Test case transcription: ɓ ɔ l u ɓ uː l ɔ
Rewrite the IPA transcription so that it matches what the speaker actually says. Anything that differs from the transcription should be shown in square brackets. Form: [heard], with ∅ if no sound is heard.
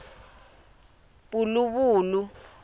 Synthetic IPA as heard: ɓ [u] l u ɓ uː l [u]